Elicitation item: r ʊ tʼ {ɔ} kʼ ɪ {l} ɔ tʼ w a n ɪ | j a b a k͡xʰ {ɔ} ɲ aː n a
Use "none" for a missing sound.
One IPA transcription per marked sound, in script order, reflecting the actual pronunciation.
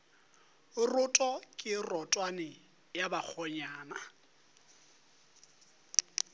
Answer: ɔ, r, ɔ

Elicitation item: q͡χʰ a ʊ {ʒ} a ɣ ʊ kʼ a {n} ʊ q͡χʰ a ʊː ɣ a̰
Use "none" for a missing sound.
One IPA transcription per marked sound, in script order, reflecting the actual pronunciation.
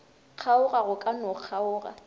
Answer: ɣ, n

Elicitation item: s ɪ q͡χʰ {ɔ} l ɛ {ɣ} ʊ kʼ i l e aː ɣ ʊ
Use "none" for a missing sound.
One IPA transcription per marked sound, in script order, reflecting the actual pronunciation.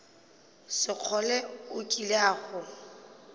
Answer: ɔ, none

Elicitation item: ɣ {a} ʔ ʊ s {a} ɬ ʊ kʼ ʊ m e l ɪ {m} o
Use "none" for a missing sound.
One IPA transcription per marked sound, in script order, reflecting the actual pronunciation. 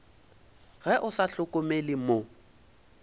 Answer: ɛ, a, m

